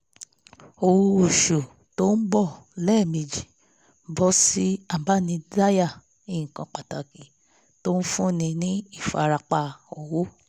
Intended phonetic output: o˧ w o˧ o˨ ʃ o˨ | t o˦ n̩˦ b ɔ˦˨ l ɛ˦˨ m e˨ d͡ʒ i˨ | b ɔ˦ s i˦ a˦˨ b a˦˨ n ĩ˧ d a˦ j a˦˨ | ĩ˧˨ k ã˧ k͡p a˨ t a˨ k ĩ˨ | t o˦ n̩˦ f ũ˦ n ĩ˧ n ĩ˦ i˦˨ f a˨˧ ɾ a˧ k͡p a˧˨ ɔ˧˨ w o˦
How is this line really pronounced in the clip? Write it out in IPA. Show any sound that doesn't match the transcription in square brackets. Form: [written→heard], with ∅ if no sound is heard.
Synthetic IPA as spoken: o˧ w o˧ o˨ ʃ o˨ | t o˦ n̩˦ b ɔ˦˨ l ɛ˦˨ m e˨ d͡ʒ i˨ | b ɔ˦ s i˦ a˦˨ b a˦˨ n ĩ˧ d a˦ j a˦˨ | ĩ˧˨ k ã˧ k͡p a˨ t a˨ k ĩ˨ | t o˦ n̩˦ f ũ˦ n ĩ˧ n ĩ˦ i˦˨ f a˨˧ ɾ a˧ k͡p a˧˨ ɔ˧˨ w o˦